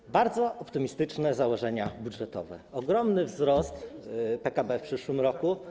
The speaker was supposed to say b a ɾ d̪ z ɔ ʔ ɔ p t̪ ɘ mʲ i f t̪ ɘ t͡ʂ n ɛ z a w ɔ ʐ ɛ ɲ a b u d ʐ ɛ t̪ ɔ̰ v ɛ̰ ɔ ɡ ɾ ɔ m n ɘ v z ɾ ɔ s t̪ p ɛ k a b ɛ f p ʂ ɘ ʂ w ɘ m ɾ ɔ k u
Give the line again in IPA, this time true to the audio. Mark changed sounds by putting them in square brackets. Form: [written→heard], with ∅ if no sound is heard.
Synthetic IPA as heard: b a ɾ d̪ z ɔ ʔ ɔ p t̪ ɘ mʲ i [f→s] t̪ ɘ t͡ʂ n ɛ z a w ɔ ʐ ɛ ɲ a b u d ʐ ɛ t̪ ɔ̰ v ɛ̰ ɔ ɡ ɾ ɔ m n ɘ v z ɾ ɔ s t̪ p ɛ k a b ɛ f p ʂ ɘ ʂ w ɘ m ɾ ɔ k u